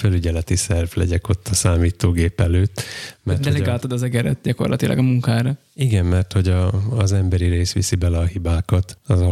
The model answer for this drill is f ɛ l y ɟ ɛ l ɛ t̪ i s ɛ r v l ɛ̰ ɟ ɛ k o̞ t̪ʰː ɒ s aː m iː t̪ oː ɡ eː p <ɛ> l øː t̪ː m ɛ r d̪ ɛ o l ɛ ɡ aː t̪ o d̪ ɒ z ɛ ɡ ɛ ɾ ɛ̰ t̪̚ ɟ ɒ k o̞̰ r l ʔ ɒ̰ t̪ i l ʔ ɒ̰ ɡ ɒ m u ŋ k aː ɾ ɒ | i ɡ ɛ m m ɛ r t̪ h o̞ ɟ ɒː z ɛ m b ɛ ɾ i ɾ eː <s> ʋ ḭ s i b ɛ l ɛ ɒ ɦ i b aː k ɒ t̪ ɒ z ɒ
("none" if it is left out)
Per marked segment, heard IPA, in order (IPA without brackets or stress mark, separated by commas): ɛ, s